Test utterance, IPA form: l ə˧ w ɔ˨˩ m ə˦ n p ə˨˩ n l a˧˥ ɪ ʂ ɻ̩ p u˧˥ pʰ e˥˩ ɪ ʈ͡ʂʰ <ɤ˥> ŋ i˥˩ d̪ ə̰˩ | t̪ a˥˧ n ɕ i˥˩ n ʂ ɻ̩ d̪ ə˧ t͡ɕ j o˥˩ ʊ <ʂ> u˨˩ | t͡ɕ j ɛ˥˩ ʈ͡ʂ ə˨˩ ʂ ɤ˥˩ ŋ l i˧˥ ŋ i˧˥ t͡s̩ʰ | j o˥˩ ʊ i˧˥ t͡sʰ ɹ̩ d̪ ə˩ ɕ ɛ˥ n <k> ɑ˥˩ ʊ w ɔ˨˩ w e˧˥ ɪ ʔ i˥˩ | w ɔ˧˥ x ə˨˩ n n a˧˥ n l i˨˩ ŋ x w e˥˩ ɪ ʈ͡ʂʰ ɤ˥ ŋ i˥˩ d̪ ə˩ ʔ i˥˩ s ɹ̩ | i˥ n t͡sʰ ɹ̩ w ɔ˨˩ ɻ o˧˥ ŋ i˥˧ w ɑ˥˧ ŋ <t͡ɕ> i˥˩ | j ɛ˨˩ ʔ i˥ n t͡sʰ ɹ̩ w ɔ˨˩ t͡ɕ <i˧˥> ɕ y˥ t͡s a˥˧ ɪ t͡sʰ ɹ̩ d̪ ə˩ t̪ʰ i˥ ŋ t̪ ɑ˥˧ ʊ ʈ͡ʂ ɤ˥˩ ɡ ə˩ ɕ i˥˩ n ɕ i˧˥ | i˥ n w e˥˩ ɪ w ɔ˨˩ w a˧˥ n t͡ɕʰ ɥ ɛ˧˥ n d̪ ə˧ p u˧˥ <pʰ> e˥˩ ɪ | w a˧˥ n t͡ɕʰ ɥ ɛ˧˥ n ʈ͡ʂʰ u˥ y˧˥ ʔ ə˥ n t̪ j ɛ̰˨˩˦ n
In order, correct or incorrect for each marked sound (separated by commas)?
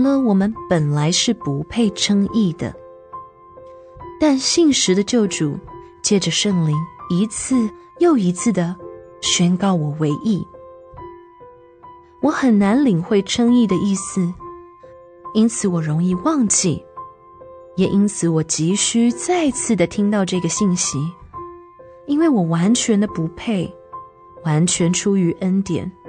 correct, incorrect, correct, correct, correct, correct